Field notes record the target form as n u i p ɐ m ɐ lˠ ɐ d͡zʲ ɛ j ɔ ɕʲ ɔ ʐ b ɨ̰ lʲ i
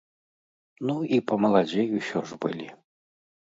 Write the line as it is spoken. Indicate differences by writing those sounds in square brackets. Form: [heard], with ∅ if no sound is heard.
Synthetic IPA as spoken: n u i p ɐ m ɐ lˠ [a] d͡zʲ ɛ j [u] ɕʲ ɔ ʐ b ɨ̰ lʲ i